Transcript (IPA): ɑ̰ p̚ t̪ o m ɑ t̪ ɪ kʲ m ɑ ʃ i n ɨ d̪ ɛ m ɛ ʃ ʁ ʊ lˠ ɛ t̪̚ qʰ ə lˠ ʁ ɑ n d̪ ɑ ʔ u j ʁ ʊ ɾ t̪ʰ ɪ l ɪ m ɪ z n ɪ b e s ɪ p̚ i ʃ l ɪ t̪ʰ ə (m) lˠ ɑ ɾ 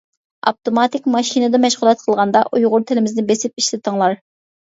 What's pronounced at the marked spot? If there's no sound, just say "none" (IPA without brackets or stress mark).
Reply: ŋ